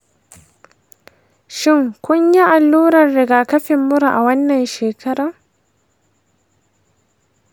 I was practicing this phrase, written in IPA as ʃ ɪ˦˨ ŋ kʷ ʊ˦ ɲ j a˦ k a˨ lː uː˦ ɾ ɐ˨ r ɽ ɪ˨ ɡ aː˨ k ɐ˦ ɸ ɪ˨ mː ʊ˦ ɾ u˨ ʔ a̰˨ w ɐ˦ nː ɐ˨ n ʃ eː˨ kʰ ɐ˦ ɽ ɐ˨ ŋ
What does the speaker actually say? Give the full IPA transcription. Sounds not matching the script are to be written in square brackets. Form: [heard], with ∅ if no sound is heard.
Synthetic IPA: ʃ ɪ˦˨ ŋ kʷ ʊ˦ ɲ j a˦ [ʔ] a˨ lː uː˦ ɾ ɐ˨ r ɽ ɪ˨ ɡ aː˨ k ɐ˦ ɸ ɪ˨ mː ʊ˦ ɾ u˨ ʔ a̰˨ w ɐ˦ nː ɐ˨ n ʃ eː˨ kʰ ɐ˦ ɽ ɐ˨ ŋ